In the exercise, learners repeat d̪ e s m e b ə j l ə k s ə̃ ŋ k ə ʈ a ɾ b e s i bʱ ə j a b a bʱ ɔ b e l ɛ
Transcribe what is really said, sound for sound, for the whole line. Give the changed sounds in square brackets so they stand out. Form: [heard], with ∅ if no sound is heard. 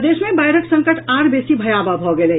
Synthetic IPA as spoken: d̪ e s m e b [a] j [ɾ] ə k s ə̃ ŋ k ə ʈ a ɾ b e s i bʱ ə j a b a bʱ ɔ [ɡ] e l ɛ

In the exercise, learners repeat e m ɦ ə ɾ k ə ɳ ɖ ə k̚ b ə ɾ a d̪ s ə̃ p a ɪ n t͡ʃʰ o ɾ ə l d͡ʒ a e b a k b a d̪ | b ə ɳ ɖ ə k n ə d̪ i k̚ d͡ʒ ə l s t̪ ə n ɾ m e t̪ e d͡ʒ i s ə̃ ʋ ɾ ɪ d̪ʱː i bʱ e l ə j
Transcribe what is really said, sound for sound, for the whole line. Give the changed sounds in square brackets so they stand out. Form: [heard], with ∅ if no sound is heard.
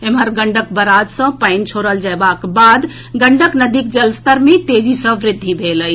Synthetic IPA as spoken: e m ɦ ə ɾ [ɡ] ə ɳ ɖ ə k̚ b ə ɾ a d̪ s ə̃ p a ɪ n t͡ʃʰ o ɾ ə l d͡ʒ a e b a k b a d̪ | [ɡ] ə ɳ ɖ ə k n ə d̪ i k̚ d͡ʒ ə l s t̪ ə [∅] ɾ m e t̪ e d͡ʒ i s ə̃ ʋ ɾ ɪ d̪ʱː i bʱ e l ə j

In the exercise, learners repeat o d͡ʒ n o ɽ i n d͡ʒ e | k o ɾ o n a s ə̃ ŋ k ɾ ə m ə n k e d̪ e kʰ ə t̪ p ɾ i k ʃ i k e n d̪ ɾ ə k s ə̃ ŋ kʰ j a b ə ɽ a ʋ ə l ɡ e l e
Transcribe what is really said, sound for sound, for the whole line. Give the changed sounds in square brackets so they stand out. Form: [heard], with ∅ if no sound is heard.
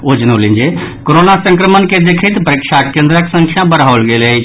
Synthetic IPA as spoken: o d͡ʒ n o [l] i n d͡ʒ e | k o ɾ o n a s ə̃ ŋ k ɾ ə m ə n k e d̪ e kʰ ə t̪ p ɾ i k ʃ [a] k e n d̪ ɾ ə k s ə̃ ŋ kʰ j a b ə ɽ a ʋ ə l ɡ e l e

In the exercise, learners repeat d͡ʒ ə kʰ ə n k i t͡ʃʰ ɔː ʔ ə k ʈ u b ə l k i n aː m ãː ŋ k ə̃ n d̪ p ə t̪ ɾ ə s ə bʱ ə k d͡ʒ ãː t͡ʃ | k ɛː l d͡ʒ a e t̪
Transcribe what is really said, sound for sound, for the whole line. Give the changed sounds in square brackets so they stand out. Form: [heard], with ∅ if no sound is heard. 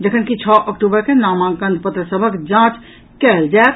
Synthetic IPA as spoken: d͡ʒ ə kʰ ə n k i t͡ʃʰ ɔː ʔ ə k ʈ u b ə [ɾ] k [e] n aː m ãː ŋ k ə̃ n d̪ p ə t̪ ɾ ə s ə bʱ ə k d͡ʒ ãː t͡ʃ | k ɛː l d͡ʒ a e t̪

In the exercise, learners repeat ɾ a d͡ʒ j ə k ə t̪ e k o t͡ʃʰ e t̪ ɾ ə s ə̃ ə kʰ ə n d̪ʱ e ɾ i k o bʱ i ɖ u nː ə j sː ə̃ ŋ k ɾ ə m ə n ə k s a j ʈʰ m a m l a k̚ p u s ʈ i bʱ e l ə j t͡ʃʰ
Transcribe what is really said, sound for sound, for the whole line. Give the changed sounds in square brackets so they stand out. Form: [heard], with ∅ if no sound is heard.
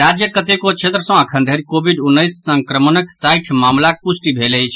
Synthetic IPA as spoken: ɾ a d͡ʒ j ə k ə t̪ e k o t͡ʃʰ e t̪ ɾ ə s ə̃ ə kʰ ə n d̪ʱ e ɾ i k o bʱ i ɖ u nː ə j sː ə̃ ŋ k ɾ ə m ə n ə k s a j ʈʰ m a m l a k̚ p u s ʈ i bʱ e l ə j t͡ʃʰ

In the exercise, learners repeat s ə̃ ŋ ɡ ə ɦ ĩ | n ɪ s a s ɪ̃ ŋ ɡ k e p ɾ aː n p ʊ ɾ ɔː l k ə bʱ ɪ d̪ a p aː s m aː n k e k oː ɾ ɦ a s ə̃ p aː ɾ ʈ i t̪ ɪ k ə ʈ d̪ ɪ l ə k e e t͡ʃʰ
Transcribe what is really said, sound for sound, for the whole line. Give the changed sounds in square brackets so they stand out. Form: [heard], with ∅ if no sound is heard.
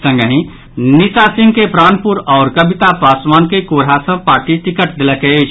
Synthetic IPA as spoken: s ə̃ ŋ ɡ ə ɦ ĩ | n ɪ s a s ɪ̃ ŋ ɡ k e p ɾ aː n p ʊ ɾ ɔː [ɾ] k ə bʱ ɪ [t̪] a p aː s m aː n k e k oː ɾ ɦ a s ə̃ p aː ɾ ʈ i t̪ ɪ k ə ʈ d̪ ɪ l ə k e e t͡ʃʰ

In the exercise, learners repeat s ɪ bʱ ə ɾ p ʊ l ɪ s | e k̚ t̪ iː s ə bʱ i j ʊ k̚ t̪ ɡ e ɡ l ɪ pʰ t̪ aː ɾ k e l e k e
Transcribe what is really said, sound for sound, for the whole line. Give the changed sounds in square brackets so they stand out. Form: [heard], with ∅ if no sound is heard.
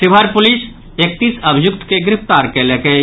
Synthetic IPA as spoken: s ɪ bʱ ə ɾ p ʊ l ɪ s | e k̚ t̪ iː s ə bʱ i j ʊ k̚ t̪ [k] e ɡ [ɾ] ɪ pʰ t̪ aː ɾ k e l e k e

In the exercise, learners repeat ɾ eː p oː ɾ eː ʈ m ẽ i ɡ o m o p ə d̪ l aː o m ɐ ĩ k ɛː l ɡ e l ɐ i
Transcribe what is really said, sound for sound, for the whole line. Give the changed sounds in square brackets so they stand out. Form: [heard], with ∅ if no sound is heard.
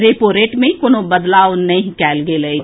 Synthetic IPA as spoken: ɾ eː p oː ɾ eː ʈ m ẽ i [k] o [n] o [b] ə d̪ l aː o [n] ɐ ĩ k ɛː l ɡ e l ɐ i

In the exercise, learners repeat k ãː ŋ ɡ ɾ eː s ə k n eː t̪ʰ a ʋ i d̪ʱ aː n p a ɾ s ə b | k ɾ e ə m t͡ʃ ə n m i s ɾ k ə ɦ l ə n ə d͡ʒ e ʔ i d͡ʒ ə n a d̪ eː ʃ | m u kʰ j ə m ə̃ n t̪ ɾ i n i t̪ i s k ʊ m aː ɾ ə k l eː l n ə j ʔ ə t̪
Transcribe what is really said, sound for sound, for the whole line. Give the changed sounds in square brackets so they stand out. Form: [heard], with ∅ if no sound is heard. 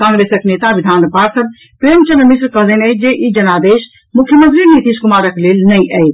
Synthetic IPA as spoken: k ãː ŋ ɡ ɾ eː s ə k n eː [t̪] a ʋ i d̪ʱ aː n p a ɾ s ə b | [p] ɾ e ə m t͡ʃ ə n m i s ɾ k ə ɦ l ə n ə d͡ʒ e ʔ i d͡ʒ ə n a d̪ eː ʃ | m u kʰ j ə m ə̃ n t̪ ɾ i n i t̪ i s k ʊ m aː ɾ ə k l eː l n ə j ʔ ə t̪

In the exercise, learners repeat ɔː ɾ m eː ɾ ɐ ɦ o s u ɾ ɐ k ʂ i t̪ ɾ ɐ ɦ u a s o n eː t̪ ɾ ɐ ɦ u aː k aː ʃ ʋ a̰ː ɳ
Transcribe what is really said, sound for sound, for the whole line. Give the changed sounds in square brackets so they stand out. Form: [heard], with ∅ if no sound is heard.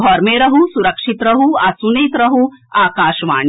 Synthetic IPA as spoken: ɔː ɾ m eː ɾ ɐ ɦ [u] s u ɾ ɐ k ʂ i t̪ ɾ ɐ ɦ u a s [u] n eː t̪ ɾ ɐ ɦ u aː k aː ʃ ʋ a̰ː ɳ

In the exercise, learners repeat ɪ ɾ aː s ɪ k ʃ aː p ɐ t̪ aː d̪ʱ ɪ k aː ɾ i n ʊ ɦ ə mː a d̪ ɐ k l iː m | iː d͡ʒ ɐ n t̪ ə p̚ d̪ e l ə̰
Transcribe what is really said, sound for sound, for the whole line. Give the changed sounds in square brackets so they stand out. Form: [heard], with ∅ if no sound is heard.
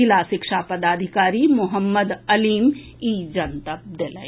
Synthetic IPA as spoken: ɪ [l] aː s ɪ k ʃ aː p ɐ [d̪] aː d̪ʱ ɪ k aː ɾ i [m] ʊ ɦ ə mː [ə] d̪ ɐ [∅] l iː m | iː d͡ʒ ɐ n t̪ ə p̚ d̪ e l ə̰

